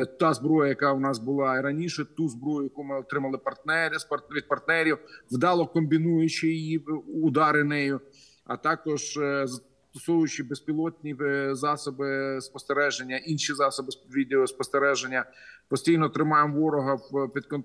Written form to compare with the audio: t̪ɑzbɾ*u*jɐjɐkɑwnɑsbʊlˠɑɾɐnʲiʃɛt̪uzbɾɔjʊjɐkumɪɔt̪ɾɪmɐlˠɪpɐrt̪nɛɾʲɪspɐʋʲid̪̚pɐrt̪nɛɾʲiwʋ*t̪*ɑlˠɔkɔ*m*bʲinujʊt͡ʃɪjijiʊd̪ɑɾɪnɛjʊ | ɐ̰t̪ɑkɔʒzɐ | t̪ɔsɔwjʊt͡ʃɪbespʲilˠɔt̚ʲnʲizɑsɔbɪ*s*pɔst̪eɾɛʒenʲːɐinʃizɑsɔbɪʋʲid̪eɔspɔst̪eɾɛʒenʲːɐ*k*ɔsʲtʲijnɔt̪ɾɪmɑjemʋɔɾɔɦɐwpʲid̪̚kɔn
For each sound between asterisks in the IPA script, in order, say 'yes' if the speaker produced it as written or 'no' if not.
no, no, yes, yes, no

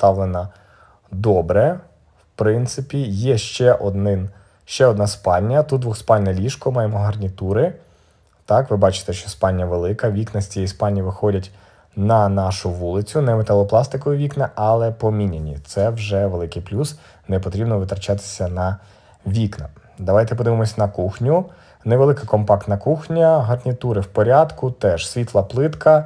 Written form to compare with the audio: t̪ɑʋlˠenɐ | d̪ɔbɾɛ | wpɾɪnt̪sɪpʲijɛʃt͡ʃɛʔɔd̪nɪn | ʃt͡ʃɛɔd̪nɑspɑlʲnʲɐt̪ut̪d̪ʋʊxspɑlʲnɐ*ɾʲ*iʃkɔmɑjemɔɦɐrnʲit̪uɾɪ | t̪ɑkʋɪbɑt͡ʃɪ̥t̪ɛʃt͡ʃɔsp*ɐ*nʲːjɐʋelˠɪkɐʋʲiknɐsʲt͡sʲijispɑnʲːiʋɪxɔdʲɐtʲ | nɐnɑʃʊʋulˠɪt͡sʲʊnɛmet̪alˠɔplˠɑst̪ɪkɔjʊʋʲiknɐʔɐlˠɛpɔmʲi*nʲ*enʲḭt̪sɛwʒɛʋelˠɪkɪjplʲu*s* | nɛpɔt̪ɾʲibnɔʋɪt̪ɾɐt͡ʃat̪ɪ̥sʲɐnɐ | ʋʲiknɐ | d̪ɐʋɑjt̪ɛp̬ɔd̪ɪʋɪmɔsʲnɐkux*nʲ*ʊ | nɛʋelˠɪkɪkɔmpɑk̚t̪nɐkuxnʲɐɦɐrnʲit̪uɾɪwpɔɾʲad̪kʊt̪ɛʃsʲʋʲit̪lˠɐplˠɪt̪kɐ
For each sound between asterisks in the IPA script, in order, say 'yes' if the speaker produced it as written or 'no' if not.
no, no, yes, yes, yes

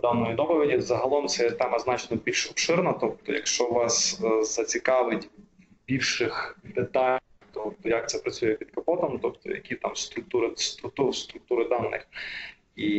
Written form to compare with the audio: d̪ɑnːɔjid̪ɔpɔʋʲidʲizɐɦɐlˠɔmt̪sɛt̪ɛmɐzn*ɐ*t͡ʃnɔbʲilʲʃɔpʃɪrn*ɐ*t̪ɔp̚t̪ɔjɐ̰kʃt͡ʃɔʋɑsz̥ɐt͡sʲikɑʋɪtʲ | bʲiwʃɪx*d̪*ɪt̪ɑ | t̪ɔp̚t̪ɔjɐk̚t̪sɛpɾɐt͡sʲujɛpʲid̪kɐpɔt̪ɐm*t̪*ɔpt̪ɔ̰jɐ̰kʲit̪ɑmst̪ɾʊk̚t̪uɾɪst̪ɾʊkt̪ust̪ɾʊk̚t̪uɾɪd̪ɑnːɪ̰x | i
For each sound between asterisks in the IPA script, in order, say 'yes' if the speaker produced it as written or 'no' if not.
no, yes, yes, yes

